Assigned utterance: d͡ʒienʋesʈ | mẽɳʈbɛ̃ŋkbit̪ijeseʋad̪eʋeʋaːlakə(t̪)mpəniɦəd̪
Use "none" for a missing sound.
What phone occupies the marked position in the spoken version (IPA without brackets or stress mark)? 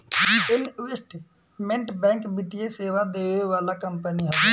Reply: none